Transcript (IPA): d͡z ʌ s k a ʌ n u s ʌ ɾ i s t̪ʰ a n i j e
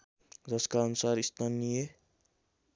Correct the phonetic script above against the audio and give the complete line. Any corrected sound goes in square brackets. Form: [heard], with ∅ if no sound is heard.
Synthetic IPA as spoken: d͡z ʌ s k a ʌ n u s [a] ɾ i s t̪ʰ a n i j e

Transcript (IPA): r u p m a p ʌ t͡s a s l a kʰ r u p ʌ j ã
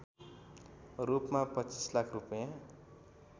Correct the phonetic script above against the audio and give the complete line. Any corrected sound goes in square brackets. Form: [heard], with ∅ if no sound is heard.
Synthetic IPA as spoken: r u p m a p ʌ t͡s [i] s l a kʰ r u p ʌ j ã

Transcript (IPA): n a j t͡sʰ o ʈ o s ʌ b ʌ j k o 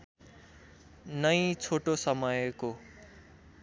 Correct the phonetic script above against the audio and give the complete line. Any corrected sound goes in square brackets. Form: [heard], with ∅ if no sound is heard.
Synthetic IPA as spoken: n [ʌ] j t͡sʰ o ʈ o s ʌ [m] ʌ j k o

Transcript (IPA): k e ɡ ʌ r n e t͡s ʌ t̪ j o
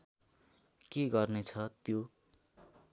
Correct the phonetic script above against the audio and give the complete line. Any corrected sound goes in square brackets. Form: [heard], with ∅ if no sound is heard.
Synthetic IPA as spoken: k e ɡ ʌ r n e [t͡sʰ] ʌ t̪ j o

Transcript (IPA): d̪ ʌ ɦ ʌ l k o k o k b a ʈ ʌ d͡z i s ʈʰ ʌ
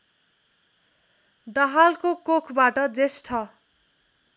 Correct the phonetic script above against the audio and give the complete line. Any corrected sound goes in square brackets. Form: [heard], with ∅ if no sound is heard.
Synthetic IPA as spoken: d̪ ʌ ɦ [a] l k o k o [kʰ] b a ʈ ʌ d͡z [e] s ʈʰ ʌ

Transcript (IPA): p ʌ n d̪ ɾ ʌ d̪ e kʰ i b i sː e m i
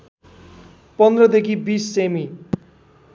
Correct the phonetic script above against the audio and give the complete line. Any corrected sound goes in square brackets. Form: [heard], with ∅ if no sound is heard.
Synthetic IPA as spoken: p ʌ n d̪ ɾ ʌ d̪ e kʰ i b i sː e m i

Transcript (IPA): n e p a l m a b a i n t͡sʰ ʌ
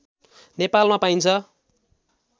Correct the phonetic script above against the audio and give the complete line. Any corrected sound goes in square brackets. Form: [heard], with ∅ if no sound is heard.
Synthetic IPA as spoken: n e p a l m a [p] a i n t͡sʰ ʌ

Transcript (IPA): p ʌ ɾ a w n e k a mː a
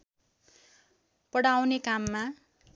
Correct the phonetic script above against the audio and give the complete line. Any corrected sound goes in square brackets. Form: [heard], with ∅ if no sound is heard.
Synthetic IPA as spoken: p ʌ [ɽ] a w n e k a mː a

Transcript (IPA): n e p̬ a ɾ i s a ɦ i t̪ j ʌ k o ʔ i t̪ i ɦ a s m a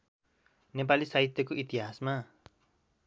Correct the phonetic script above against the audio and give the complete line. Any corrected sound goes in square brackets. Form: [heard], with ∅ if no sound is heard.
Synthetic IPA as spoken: n e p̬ a [l] i s a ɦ i t̪ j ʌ k o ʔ i t̪ i ɦ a s m a

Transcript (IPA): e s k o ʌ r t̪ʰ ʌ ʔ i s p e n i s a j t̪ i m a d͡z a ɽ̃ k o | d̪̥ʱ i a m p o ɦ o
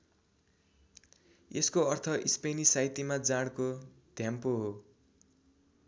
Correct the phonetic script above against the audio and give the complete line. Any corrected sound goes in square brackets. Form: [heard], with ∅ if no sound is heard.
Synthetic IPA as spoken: e s k o ʌ r t̪ʰ ʌ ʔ i s p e n i s a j t̪ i m a d͡z a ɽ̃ k o | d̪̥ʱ [j] a m p o ɦ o

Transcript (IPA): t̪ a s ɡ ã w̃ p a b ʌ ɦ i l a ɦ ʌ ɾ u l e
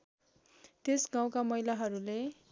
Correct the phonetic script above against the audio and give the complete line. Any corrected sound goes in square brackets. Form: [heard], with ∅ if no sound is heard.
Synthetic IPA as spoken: t̪ [e] s ɡ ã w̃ [k] a [m] ʌ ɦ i l a ɦ ʌ ɾ u l e

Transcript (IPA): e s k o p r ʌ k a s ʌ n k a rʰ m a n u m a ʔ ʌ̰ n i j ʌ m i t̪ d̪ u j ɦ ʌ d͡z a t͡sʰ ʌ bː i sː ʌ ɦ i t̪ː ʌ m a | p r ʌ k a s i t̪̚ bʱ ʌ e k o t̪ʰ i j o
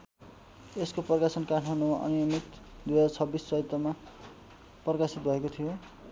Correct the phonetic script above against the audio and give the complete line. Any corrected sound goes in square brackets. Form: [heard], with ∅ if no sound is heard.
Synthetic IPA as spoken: e s k o p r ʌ k a s ʌ n k a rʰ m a n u m a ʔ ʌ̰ n i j ʌ m i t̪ d̪ u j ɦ ʌ d͡z a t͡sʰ ʌ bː i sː ʌ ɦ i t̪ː ʌ m a | p r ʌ k a s i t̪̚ bʱ ʌ e k o t̪ʰ i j o

